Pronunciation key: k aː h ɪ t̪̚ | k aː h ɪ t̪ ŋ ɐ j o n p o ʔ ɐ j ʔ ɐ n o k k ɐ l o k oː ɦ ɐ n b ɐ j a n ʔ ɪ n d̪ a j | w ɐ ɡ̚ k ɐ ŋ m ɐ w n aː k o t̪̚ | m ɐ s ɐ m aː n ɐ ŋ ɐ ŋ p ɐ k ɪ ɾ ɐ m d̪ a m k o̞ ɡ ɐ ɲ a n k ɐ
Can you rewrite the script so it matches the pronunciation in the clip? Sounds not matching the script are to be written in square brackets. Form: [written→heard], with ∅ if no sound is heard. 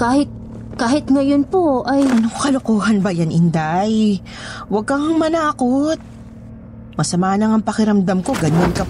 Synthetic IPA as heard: k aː h ɪ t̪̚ | k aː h ɪ t̪ ŋ ɐ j o n p o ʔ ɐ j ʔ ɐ n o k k ɐ l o k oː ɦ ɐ n b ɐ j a n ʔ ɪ n d̪ a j | w ɐ ɡ̚ k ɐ ŋ m ɐ [w→∅] n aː k o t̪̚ | m ɐ s ɐ m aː n ɐ ŋ ɐ ŋ p ɐ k ɪ ɾ ɐ m d̪ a m k o̞ ɡ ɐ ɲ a n k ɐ